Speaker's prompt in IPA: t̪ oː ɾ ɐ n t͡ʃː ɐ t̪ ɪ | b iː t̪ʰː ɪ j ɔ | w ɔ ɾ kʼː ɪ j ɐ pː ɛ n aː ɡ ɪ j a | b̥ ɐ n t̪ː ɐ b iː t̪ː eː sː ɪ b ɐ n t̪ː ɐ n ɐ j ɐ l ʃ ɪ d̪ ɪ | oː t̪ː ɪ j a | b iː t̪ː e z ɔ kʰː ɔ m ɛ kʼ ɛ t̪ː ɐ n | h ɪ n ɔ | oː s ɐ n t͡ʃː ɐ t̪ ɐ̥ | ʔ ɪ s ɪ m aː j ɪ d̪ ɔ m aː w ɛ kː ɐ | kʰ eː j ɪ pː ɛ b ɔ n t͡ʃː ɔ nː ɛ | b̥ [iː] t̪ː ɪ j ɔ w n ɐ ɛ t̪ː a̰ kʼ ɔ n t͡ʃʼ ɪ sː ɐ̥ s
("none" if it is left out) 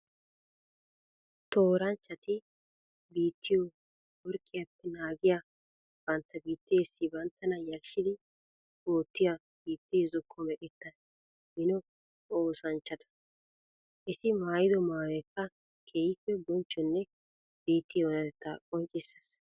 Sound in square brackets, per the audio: iː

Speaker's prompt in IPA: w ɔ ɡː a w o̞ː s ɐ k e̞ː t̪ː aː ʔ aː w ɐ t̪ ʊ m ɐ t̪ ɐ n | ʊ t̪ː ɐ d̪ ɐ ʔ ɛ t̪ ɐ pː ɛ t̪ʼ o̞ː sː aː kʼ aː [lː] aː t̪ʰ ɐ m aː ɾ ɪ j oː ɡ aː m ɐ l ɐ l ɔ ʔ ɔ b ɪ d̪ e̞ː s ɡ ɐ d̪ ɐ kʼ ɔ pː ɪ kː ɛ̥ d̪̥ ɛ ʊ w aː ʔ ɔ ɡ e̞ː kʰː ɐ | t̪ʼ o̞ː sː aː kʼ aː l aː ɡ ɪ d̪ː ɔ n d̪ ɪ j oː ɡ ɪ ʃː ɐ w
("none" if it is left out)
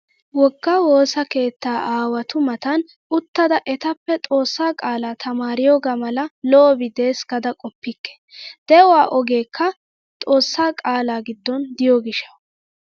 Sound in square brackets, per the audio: l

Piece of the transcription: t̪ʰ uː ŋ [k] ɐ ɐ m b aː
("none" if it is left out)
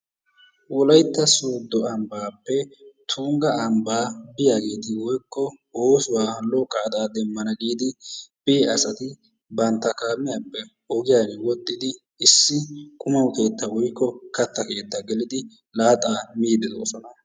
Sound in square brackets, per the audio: ɡ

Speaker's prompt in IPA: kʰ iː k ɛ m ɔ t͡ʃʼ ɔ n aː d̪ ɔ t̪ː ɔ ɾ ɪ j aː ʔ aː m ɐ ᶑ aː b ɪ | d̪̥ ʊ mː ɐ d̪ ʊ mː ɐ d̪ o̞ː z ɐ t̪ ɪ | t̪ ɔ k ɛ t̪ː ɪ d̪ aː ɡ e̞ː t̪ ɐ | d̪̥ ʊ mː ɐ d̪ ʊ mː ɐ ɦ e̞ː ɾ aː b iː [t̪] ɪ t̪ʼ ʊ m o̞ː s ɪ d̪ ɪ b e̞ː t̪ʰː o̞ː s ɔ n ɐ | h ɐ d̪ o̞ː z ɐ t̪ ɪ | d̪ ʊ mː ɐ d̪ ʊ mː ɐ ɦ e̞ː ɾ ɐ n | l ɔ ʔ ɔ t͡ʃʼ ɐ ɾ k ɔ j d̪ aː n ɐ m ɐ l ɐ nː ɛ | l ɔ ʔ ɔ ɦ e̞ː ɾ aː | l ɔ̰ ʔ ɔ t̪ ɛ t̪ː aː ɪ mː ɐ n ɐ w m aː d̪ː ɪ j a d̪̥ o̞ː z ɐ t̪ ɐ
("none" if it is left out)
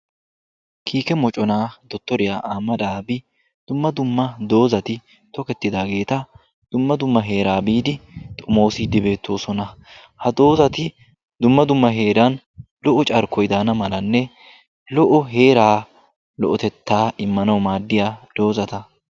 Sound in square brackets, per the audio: d̪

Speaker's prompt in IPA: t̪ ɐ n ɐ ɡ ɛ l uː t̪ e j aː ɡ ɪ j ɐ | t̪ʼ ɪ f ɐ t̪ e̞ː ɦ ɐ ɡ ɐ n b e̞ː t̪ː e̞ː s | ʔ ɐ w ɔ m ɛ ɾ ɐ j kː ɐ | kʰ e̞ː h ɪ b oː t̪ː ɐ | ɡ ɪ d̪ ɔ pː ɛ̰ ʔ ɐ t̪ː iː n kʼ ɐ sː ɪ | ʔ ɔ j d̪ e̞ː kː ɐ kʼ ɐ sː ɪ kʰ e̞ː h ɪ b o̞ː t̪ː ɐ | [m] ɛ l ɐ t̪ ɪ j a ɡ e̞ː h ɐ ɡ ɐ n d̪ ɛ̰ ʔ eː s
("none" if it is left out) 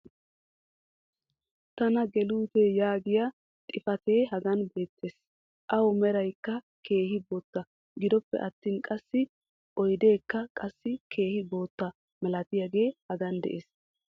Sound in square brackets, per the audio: m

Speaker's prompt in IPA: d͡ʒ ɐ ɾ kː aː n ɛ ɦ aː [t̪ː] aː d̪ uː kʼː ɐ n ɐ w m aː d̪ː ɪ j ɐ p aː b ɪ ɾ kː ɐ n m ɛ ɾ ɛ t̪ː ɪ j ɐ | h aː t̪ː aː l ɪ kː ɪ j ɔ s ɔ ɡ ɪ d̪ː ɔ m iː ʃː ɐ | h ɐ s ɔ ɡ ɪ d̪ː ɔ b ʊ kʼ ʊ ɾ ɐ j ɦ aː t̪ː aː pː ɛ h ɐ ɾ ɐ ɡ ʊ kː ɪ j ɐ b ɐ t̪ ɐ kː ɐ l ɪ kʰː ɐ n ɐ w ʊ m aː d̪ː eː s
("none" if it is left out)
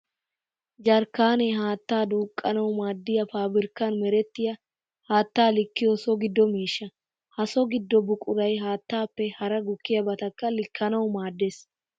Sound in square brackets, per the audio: t̪ː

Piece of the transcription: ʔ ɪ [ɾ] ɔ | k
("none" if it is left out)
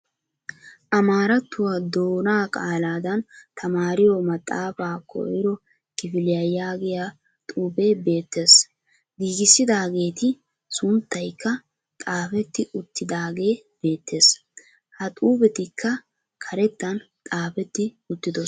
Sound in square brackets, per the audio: ɾ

